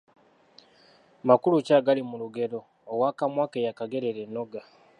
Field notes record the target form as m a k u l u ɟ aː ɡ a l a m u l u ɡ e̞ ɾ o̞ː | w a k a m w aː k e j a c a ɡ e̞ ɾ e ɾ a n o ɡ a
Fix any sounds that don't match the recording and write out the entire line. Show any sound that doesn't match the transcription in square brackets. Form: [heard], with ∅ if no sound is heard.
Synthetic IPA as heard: m a k u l u [c] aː ɡ a l [i] m u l u ɡ e̞ ɾ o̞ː | w a k a m w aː k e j a [k] a ɡ e̞ ɾ e ɾ [e] n o ɡ a